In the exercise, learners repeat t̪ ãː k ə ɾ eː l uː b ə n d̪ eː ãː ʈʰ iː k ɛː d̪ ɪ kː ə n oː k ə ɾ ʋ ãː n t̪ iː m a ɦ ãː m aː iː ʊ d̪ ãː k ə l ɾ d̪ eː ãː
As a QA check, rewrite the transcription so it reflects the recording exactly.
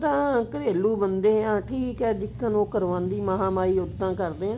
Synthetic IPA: t̪ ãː k ə ɾ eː l uː b ə n d̪ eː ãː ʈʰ iː k ɛː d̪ ɪ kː ə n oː k ə ɾ ʋ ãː n d̪ iː m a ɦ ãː m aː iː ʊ d̪ ãː k ə ɾ d̪ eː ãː